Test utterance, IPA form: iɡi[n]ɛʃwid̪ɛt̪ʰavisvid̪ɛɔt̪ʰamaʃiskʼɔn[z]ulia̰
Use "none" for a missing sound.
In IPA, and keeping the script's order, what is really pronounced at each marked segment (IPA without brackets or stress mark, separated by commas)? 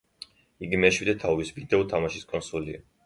m, s